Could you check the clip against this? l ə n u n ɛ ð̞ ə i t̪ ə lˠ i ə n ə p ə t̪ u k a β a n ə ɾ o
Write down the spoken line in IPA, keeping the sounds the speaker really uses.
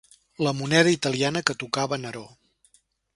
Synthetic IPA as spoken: l ə m u n ɛ ð̞ ə i t̪ ə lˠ i a n ə k ə t̪ u k a β ə n ə ɾ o